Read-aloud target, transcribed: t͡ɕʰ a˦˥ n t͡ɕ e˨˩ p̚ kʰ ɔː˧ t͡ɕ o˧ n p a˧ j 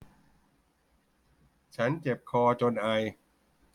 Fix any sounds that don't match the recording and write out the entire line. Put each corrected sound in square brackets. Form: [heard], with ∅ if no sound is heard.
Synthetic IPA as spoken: t͡ɕʰ a˦˥ n t͡ɕ e˨˩ p̚ kʰ ɔː˧ t͡ɕ o˧ n [ʔ] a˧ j